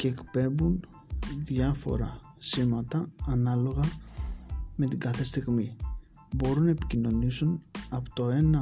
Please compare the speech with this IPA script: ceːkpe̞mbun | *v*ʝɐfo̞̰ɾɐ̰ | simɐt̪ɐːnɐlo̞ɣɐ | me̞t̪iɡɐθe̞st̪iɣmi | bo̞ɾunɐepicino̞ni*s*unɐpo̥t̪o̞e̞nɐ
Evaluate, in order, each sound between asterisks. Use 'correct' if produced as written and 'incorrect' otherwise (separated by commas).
incorrect, correct